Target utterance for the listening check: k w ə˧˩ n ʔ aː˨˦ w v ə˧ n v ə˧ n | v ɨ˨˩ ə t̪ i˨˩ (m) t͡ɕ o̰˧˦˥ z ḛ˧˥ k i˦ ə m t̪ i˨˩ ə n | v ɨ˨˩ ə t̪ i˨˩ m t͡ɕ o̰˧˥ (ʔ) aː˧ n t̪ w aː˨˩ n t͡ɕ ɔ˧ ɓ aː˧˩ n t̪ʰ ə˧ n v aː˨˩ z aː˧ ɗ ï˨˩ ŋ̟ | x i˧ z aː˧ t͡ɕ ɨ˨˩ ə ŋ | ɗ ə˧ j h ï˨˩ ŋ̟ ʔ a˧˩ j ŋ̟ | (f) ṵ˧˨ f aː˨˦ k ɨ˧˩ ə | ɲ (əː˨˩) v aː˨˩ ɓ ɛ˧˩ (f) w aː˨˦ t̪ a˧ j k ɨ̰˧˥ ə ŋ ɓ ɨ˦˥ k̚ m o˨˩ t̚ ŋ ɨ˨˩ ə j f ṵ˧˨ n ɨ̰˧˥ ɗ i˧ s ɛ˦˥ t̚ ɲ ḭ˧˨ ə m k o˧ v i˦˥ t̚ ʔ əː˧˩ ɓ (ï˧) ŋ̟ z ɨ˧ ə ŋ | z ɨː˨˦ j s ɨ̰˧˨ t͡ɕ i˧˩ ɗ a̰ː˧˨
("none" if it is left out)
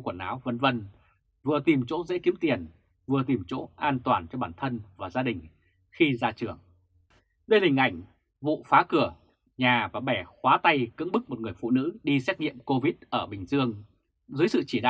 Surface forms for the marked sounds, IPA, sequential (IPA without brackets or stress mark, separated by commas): m, ʔ, v, aː˨˩, x, ï˨˩